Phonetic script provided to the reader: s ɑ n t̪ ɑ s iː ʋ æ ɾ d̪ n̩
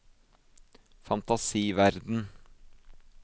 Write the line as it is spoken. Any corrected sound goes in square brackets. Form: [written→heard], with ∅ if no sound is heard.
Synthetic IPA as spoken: [s→f] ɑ n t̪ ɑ s iː ʋ æ ɾ d̪ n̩